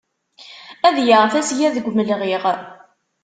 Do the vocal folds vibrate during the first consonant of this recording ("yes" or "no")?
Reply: yes